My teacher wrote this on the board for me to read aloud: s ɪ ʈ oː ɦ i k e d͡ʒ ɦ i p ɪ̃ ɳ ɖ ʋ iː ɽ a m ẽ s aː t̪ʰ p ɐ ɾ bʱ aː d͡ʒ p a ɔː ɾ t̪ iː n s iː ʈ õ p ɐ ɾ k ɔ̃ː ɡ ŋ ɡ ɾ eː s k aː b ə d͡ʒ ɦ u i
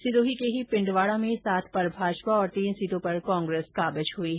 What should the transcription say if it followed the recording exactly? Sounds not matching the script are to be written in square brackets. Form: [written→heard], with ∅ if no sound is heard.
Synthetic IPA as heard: s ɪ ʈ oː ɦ i k e [d͡ʒ→∅] ɦ i p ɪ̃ ɳ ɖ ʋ [iː→aː] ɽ a m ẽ s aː t̪ʰ p ɐ ɾ bʱ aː d͡ʒ p a ɔː ɾ t̪ iː n s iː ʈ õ p ɐ ɾ k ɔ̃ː [ɡ→∅] ŋ ɡ ɾ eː s k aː b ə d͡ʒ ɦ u i